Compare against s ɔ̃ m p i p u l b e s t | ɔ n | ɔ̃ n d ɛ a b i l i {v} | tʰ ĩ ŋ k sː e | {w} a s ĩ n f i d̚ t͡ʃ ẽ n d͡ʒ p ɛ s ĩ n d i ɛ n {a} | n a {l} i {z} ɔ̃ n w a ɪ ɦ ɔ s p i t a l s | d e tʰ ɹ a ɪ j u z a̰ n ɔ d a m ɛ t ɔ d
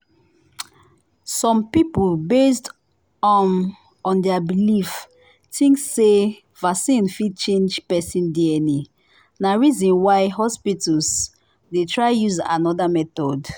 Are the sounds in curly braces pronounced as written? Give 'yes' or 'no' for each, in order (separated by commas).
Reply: no, no, no, no, yes